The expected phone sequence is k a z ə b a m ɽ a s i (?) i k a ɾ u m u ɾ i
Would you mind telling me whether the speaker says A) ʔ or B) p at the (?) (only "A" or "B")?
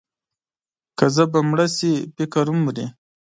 B